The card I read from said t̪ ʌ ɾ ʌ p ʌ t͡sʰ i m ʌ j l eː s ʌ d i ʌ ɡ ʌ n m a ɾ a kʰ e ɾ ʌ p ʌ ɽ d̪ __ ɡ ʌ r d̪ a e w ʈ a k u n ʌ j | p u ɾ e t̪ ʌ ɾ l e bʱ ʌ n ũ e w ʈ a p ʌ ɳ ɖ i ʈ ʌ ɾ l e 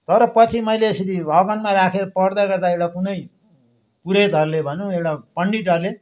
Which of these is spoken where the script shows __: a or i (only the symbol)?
a